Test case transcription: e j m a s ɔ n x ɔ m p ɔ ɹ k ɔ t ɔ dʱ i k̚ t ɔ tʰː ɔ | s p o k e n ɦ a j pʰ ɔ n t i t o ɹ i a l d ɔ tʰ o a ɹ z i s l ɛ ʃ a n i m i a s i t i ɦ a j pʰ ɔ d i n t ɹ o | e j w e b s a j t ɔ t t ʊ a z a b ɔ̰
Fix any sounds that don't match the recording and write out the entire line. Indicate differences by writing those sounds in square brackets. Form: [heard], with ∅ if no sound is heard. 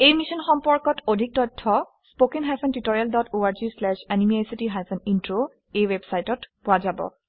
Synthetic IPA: e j m [i] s ɔ n x ɔ m p ɔ ɹ k ɔ t [o] dʱ i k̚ t ɔ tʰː ɔ | s p o k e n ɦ a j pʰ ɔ n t i t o ɹ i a l d ɔ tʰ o a ɹ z i s l ɛ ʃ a n i m i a s i t i ɦ a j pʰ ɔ [n] i n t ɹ o | e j w e b s a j t ɔ t [p] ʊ a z a b ɔ̰